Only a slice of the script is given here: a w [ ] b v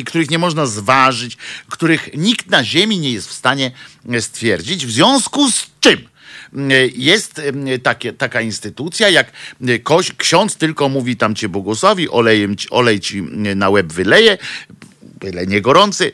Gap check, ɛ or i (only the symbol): ɛ